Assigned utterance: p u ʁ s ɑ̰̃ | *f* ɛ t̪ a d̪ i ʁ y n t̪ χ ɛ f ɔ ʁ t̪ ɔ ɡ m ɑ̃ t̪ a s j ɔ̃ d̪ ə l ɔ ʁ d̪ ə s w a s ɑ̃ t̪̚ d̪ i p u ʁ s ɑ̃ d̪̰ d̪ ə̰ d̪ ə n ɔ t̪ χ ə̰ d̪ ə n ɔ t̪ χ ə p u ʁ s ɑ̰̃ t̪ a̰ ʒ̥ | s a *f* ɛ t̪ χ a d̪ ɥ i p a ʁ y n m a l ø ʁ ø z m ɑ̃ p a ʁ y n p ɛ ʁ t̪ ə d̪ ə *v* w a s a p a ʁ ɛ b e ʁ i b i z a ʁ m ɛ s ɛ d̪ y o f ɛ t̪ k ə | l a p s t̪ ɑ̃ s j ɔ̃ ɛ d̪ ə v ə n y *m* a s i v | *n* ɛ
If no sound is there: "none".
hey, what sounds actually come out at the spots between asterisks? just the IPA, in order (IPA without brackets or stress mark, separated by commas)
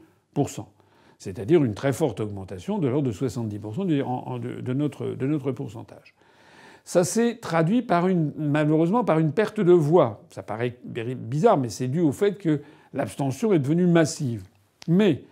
s, s, v, m, m